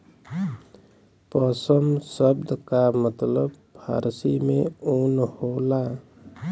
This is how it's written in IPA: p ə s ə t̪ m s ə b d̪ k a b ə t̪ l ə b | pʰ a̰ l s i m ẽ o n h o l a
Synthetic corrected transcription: p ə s ə m s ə b d̪ k a m ə t̪ l ə b | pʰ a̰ ɾ s i m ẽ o n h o l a